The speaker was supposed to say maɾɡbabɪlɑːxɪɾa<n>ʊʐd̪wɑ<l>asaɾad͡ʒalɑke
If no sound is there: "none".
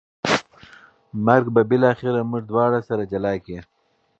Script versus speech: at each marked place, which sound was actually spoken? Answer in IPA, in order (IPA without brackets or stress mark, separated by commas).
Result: m, ɽ